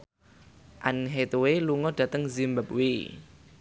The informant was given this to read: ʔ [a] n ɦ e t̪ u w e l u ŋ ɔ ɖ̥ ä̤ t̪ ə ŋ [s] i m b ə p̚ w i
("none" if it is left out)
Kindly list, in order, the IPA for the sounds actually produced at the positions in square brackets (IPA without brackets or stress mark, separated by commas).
a, z